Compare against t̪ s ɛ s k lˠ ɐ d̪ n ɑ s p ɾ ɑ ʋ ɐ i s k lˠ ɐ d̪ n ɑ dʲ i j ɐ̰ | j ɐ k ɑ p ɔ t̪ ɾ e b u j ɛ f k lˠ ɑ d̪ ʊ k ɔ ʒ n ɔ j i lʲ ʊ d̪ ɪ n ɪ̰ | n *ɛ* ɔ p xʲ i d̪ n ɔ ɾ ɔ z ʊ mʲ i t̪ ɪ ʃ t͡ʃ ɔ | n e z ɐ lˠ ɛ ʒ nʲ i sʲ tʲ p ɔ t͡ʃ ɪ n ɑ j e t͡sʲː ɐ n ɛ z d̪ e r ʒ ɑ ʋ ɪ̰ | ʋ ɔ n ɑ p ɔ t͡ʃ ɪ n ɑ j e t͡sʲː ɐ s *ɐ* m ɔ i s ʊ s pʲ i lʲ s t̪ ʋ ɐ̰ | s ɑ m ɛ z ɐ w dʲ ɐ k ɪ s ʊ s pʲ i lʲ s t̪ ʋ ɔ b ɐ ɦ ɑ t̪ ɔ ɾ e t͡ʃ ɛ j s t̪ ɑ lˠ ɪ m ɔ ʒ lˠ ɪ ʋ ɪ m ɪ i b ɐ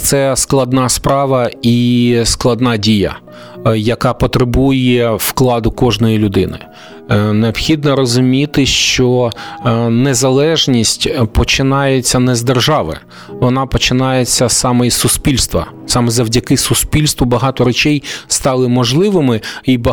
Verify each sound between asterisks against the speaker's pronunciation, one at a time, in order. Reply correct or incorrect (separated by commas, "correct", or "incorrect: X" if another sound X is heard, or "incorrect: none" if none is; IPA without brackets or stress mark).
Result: incorrect: e, incorrect: ɑ